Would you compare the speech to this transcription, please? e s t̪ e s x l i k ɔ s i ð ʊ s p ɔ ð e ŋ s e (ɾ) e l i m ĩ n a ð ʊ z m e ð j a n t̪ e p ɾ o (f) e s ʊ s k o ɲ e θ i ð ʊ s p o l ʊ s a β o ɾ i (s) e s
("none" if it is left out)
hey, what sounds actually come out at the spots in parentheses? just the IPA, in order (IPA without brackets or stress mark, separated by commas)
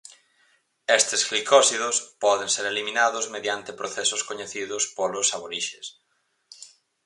ɾ, θ, ʃ